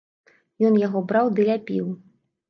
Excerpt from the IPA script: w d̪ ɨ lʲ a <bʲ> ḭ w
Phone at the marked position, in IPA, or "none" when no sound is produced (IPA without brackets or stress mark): pʲ